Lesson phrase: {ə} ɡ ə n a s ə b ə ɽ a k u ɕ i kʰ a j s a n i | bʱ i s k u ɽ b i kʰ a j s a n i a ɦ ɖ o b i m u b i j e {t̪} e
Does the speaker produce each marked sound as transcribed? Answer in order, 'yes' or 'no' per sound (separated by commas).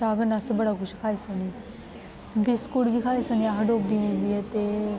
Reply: no, yes